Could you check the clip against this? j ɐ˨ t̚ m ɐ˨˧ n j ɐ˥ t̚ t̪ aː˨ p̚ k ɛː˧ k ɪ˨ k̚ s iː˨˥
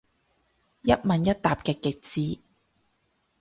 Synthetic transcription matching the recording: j ɐ˥ t̚ m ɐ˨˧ n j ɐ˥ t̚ t̪ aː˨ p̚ k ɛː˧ k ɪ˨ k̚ t͡s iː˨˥

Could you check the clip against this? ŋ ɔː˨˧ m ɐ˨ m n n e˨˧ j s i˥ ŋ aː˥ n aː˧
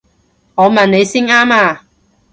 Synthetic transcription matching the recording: ŋ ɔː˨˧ m ɐ˨ n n e˨˧ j s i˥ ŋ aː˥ m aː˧

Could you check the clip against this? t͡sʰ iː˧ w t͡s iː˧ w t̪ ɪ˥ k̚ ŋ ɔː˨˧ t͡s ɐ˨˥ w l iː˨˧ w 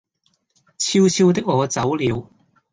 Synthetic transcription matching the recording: t͡sʰ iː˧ w t͡sʰ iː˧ w t̪ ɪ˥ k̚ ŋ ɔː˨˧ t͡s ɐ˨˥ w l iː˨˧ w

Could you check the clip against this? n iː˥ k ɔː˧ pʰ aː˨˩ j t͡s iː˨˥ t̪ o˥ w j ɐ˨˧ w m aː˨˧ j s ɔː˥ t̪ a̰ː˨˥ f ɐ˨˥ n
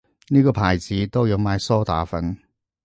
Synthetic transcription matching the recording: n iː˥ k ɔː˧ pʰ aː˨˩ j t͡s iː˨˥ t̪ o˥ w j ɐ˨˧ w m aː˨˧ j s ɔː˥ t̪ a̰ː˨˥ f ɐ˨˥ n

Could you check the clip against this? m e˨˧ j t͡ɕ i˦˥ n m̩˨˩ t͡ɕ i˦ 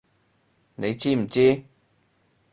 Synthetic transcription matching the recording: n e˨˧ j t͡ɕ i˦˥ m̩˨˩ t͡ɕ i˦

